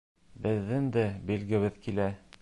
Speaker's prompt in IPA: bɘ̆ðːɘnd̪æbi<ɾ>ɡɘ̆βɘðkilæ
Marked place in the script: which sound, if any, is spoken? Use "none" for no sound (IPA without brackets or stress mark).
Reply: l